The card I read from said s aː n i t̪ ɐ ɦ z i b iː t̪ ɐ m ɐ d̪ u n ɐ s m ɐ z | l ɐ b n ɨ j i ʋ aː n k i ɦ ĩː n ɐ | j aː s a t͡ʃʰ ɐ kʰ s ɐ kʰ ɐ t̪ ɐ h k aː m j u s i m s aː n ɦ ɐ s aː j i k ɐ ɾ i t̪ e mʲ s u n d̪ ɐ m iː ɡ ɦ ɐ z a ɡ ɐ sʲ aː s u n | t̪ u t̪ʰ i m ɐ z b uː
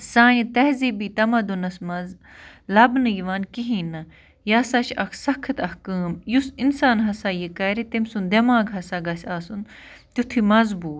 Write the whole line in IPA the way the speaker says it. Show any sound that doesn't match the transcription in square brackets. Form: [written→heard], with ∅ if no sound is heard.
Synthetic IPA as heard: s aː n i t̪ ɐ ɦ z i b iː t̪ ɐ m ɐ d̪ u n ɐ s m ɐ z | l ɐ b n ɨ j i ʋ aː n k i ɦ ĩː n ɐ | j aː s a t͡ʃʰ ɐ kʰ s ɐ kʰ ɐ t̪ ɐ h k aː m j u s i [m→n] s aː n ɦ ɐ s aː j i k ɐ ɾ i t̪ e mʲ s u n d̪ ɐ m [iː→aː] ɡ ɦ ɐ [z→s] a ɡ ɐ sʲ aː s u n | t̪ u t̪ʰ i m ɐ z b uː